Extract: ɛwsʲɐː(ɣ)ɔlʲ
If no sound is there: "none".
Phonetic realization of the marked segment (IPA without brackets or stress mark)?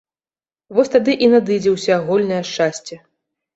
ɣ